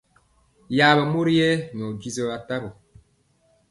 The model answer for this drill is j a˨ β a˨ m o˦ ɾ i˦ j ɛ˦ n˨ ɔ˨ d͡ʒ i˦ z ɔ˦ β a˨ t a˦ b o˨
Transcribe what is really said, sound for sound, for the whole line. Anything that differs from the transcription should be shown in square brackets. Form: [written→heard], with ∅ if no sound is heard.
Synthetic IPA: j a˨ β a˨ m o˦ ɾ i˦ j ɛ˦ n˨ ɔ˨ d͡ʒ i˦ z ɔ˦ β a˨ t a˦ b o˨